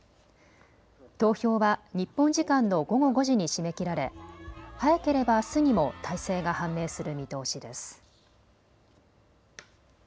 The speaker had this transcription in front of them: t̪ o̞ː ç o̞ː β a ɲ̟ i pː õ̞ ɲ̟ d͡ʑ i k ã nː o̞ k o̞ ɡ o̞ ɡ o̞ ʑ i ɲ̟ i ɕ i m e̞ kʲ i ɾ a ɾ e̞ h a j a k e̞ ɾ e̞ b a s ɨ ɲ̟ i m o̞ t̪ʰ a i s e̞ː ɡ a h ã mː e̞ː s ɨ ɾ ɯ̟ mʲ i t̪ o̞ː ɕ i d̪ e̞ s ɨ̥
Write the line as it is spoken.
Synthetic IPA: t̪ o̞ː ç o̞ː β a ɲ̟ i pː õ̞ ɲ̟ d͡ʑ i k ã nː o̞ ɡ o̞ ɡ o̞ ɡ o̞ ʑ i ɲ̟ i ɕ i m e̞ kʲ i ɾ a ɾ e̞ h a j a k e̞ ɾ e̞ b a s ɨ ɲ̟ i m o̞ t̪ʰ a i s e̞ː ɡ a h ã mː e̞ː s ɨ ɾ ɯ̟ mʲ i t̪ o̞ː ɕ i d̪ e̞ s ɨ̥